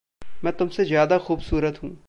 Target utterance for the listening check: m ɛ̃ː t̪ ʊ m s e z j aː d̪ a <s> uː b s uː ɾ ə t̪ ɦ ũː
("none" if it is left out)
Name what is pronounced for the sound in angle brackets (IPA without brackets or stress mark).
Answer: x